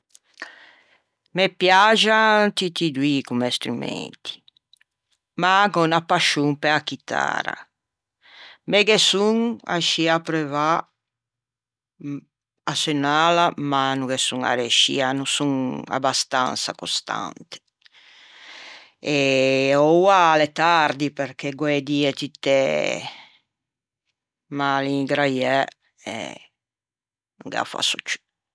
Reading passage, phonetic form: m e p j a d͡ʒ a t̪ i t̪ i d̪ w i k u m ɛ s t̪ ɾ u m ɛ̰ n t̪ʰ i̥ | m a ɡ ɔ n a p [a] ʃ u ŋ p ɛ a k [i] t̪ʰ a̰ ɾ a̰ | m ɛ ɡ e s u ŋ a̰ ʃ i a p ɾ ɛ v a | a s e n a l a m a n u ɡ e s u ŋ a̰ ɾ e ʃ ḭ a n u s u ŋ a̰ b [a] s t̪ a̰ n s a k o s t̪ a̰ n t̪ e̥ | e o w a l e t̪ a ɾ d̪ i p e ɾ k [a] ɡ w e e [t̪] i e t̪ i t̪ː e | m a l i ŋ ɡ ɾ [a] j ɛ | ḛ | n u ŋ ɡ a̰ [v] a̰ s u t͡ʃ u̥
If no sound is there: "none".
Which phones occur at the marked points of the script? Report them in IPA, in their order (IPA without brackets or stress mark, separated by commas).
a, i, a, e, d̪, a, f